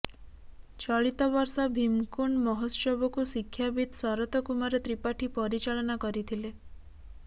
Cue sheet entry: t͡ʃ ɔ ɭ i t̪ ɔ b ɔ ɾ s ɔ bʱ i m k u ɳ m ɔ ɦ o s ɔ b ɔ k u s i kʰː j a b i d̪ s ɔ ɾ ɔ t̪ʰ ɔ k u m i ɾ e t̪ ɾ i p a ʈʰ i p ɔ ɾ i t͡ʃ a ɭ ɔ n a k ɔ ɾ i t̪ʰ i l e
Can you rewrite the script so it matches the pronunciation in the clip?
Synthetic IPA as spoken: t͡ʃ ɔ ɭ i t̪ ɔ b ɔ ɾ s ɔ bʱ i m k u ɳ m ɔ ɦ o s ɔ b ɔ k u s i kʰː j a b i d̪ s ɔ ɾ ɔ t̪ ɔ k u m a ɾ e t̪ ɾ i p a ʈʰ i p ɔ ɾ i t͡ʃ a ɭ ɔ n a k ɔ ɾ i t̪ʰ i l e